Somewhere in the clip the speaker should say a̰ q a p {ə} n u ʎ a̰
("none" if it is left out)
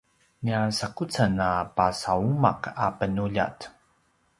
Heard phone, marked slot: ə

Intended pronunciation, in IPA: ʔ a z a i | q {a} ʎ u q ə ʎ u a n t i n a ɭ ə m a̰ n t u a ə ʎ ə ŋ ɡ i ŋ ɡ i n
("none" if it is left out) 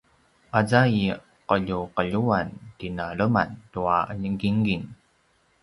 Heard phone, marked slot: ə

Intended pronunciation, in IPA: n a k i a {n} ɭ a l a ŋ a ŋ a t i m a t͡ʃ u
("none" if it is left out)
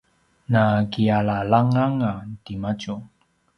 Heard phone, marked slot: none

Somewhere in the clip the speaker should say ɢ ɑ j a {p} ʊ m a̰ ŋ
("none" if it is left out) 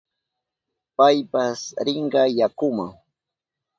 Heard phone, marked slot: k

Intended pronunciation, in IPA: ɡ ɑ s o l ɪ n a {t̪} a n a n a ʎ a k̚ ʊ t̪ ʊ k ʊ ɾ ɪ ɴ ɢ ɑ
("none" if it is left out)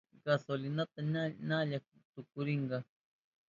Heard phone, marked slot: t̪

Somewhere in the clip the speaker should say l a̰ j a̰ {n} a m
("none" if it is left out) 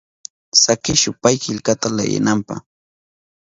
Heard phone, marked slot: n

